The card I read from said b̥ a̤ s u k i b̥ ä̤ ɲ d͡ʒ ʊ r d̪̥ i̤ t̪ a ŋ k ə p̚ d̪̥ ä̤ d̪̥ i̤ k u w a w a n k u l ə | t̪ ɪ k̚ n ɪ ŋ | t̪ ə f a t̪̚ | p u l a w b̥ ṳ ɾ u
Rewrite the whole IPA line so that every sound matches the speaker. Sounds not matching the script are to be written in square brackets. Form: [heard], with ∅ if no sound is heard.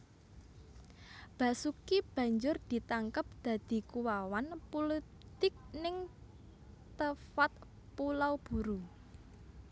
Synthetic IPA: b̥ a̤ s u k i b̥ ä̤ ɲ d͡ʒ ʊ r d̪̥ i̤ t̪ a ŋ k ə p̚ d̪̥ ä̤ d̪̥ i̤ k u w a w a n [p] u l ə | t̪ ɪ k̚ n ɪ ŋ | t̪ ə f a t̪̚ | p u l a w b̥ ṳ ɾ u

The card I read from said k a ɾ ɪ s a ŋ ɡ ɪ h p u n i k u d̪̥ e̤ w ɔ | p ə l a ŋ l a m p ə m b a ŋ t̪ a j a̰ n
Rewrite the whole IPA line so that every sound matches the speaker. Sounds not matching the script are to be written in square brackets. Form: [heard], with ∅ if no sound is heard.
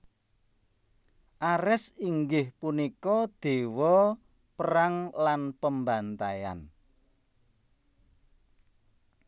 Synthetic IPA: [ʔ] a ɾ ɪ s [i] ŋ ɡ ɪ h p u n i k [ɔ] d̪̥ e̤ w ɔ | p ə [ɾ] a ŋ l a [n] p ə m b a [n] t̪ a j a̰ n

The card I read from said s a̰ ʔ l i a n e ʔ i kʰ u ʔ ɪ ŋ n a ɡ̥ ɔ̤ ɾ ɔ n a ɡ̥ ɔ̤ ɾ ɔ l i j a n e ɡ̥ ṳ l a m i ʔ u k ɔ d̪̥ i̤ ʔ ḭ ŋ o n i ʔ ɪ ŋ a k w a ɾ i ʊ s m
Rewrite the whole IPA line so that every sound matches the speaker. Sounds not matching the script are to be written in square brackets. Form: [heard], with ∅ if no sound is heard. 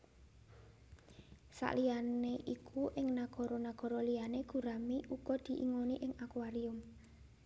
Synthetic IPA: s a̰ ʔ l i a n e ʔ i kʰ u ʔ ɪ ŋ n a ɡ̥ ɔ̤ ɾ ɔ n a ɡ̥ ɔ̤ ɾ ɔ l i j a n e ɡ̥ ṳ [ɾ] a m i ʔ u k ɔ d̪̥ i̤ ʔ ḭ ŋ o n i ʔ ɪ ŋ a k w a ɾ i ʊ [∅] m

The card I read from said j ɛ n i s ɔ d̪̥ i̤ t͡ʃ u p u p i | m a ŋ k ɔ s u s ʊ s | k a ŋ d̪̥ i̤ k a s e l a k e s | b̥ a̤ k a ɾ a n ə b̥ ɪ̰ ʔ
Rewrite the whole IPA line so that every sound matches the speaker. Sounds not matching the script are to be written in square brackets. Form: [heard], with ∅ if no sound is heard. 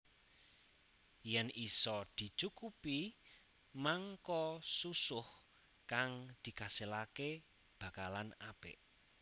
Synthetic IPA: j ɛ n i s ɔ d̪̥ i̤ t͡ʃ u [k] u p i | m a ŋ k ɔ s u s ʊ [h] | k a ŋ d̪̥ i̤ k a s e l a k e [∅] | b̥ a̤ k a [l] a n [a] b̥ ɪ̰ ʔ

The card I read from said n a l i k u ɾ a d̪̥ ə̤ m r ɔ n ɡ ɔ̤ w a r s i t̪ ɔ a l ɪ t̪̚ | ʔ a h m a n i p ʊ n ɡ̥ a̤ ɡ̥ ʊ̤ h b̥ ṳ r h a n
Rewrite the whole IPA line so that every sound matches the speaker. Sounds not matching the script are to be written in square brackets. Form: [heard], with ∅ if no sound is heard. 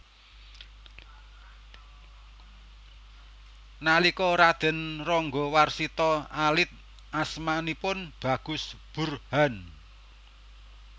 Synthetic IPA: n a l i k [ɔ] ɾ a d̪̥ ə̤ [n] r ɔ [ŋ] ɡ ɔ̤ w a r s i t̪ ɔ a l ɪ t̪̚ | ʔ a [s] m a n i p ʊ n [b̥] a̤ ɡ̥ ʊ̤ [s] b̥ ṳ r h a n

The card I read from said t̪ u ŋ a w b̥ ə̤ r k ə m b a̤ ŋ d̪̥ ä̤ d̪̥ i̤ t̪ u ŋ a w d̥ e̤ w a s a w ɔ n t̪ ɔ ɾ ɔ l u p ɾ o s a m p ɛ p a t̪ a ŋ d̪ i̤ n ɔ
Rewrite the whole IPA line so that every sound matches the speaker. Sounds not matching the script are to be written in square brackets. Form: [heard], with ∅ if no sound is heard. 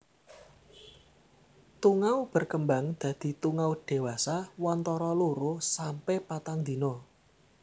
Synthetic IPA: t̪ u ŋ a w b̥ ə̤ r k ə m b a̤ ŋ d̪̥ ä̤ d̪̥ i̤ t̪ u ŋ a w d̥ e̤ w a s a w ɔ n t̪ ɔ ɾ ɔ l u [∅] ɾ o s a m p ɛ p a t̪ a ŋ d̪ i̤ n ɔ

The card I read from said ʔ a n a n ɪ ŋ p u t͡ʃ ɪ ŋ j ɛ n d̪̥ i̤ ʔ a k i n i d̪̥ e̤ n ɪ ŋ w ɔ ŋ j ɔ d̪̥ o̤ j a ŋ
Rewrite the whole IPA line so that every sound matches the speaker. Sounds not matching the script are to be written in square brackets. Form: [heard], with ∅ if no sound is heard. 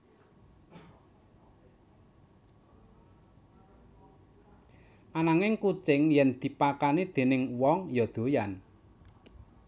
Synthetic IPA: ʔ a n a [ŋ] ɪ ŋ [k] u t͡ʃ ɪ ŋ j ɛ n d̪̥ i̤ [p] a k [a] n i d̪̥ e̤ n ɪ ŋ w ɔ ŋ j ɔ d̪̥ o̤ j a [n]

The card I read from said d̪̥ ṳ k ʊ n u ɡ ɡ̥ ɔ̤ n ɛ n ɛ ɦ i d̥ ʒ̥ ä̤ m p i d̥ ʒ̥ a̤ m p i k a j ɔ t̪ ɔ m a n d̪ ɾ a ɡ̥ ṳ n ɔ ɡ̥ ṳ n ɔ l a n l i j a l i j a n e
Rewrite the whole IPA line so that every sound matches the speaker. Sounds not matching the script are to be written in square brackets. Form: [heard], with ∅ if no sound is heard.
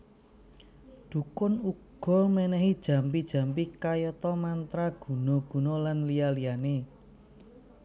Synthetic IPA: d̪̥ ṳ k ʊ n u ɡ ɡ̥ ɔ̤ [m] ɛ n ɛ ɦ i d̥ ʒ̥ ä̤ m p i d̥ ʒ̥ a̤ m p i k a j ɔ t̪ ɔ m a n [t̪] ɾ a ɡ̥ ṳ n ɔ ɡ̥ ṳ n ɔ l a n l i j a l i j a n e

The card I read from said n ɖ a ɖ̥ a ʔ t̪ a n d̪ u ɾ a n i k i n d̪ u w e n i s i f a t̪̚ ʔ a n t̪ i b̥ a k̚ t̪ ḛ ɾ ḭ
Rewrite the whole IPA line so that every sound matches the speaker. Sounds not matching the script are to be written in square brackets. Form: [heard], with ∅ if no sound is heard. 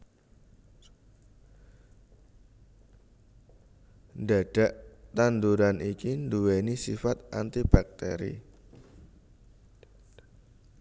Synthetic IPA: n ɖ a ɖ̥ a ʔ t̪ a n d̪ u ɾ a n i k i n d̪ u w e n i s i f a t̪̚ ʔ a n t̪ i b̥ a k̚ t̪ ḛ ɾ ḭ

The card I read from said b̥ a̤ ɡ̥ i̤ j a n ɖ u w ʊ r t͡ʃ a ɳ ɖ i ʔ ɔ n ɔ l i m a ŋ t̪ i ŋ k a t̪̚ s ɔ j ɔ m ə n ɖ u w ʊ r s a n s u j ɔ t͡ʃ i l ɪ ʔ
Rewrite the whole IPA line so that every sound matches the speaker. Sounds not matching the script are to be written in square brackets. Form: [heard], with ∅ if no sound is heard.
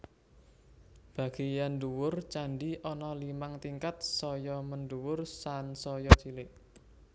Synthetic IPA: b̥ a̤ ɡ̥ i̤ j a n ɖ u w ʊ r t͡ʃ a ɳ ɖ i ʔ ɔ n ɔ l i m a ŋ t̪ i ŋ k a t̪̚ s ɔ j ɔ m ə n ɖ u w ʊ r s a n s [ɔ] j ɔ t͡ʃ i l ɪ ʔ

